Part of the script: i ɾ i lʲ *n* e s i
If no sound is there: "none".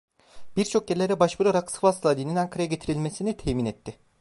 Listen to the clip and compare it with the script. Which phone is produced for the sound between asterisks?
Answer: m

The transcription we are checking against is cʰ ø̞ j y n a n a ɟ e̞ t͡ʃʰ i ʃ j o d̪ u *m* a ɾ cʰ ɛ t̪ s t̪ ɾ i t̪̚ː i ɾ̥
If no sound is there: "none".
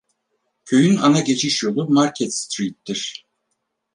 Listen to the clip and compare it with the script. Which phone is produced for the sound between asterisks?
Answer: m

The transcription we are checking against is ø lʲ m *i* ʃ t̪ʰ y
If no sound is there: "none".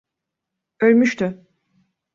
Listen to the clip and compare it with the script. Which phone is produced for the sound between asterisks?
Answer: y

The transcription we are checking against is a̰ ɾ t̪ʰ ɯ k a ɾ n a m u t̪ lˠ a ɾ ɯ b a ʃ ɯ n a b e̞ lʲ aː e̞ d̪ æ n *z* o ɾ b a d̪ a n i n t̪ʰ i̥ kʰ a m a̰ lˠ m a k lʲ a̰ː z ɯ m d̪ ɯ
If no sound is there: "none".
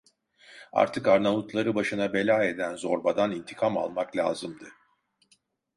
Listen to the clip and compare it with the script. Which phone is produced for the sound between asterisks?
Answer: z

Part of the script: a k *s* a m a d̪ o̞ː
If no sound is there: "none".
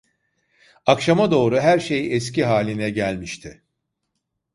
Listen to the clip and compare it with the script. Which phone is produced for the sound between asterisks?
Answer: ʃ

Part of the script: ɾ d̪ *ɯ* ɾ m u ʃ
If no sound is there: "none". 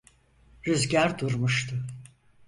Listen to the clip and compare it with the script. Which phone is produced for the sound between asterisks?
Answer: u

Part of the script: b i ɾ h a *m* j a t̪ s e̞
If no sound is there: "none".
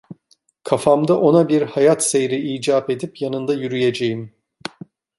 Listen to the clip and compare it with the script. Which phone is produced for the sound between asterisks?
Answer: none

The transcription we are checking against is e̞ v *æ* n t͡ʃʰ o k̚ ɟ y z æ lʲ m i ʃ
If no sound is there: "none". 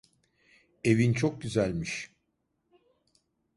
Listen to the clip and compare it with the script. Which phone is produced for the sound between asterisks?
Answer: i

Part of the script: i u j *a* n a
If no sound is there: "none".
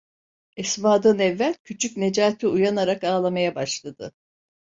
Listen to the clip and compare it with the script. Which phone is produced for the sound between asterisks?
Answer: a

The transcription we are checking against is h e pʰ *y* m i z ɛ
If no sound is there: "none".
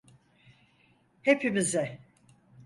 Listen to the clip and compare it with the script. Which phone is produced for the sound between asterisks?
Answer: i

